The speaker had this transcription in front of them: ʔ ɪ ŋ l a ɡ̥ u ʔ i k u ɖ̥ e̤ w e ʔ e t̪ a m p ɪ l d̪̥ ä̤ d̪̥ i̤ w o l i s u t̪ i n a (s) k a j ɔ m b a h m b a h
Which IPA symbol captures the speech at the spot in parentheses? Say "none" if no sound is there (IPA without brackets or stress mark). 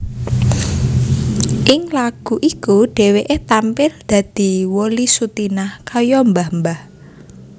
h